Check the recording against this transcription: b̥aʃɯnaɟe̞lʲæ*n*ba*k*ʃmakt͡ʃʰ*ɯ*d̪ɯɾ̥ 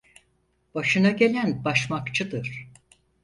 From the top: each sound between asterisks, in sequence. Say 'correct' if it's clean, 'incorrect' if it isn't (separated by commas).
correct, incorrect, correct